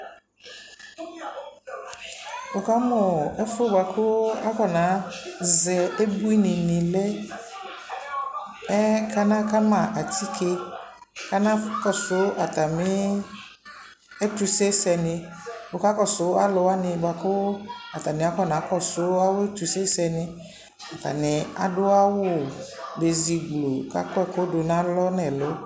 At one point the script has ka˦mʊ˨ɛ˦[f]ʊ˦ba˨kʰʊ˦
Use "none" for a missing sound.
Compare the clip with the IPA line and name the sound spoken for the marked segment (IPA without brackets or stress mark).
f